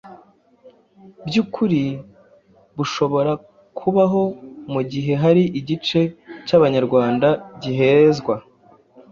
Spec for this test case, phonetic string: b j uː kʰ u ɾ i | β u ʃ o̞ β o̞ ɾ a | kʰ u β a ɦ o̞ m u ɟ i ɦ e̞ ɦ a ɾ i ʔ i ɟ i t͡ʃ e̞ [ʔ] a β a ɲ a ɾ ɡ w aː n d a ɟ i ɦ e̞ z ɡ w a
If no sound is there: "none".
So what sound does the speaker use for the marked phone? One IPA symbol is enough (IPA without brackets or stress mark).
c